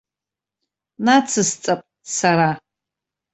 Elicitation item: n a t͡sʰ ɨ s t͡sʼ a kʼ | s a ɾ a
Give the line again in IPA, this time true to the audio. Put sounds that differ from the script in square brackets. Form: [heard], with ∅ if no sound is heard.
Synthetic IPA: n a t͡sʰ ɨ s t͡sʼ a [pʼ] | s a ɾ a

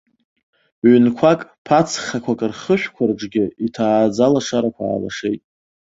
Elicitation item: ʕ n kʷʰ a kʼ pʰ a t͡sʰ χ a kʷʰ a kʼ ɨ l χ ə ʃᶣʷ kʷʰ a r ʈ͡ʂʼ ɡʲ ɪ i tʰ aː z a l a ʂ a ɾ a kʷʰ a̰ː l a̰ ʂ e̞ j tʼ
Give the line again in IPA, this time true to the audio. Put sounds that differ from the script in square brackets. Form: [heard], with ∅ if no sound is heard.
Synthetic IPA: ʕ n kʷʰ a kʼ pʰ a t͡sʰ χ a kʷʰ a kʼ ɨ [r] χ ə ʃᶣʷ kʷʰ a r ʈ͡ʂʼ ɡʲ ɪ i tʰ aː [d͡z] a l a ʂ a ɾ a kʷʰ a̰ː l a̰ ʂ e̞ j tʼ

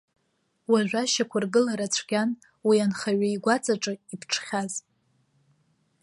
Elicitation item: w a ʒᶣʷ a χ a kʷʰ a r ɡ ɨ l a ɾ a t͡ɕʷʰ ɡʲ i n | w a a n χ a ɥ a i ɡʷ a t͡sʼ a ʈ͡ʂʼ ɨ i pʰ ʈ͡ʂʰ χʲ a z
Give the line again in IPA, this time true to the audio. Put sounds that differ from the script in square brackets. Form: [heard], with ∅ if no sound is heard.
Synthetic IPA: w a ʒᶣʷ a [ʃ] a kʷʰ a r ɡ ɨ l a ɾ a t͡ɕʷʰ ɡʲ [a] n | w [i] a n χ a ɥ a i ɡʷ a t͡sʼ a ʈ͡ʂʼ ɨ i pʰ ʈ͡ʂʰ χʲ a z

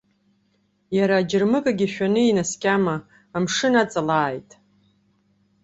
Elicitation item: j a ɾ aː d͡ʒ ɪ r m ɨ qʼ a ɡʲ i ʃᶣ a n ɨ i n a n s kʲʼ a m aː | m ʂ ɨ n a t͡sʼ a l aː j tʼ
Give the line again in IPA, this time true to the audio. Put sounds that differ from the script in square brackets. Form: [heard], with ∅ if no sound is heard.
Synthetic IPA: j a ɾ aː d͡ʒ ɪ r m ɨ [kʼ] a ɡʲ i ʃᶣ a n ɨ i n a [∅] s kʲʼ a m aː | m ʂ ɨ n a t͡sʼ a l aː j tʼ

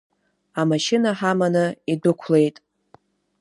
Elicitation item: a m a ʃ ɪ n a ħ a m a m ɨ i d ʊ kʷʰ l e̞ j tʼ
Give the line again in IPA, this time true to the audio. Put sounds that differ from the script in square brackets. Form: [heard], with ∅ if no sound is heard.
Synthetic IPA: a m a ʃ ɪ n a ħ a m a [n] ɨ i d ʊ kʷʰ l e̞ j tʼ

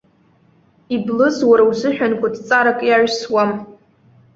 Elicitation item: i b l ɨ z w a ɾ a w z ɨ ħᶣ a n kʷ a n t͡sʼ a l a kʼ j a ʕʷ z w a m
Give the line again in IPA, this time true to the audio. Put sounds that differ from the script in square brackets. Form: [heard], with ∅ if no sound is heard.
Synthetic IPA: i b l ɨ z w a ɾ a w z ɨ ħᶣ a n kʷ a [d] t͡sʼ a [ɾ] a kʼ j a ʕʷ [s] w a m

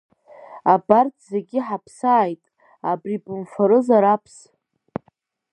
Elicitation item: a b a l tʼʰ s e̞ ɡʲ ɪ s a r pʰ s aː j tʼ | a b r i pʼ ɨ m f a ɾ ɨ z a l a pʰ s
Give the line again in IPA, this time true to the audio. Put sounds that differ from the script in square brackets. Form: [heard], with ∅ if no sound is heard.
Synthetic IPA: a b a [r] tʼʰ [z] e̞ ɡʲ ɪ [ħ] a [∅] pʰ s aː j tʼ | a b r i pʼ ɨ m f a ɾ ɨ z a [ɾ] a pʰ s

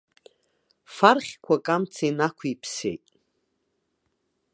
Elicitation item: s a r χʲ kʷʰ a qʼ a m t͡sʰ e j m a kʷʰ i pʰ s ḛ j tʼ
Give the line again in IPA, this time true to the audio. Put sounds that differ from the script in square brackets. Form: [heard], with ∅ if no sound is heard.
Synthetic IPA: [f] a r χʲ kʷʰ a [kʼ] a m t͡sʰ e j [n] a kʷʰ i pʰ s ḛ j tʼ

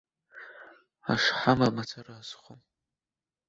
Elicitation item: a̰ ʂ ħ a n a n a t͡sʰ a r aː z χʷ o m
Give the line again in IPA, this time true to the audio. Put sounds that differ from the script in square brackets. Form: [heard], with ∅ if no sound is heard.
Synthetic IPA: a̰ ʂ ħ a [m] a [m] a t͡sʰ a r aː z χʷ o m

